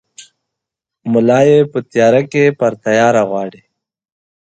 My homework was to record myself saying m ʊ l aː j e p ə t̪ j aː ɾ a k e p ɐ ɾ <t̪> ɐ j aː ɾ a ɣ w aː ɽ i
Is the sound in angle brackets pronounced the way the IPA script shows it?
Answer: yes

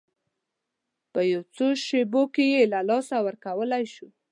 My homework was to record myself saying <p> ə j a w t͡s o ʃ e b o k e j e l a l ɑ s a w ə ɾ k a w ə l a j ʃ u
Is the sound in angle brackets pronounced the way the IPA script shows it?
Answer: yes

